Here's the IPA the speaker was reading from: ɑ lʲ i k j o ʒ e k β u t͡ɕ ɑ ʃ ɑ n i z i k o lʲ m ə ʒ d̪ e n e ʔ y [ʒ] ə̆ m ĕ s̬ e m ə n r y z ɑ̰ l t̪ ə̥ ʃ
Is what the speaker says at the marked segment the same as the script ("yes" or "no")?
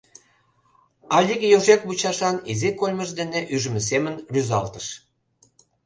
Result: yes